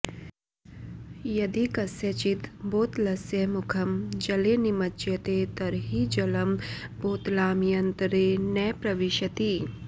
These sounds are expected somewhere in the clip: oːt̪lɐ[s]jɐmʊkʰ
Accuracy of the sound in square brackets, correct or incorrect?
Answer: correct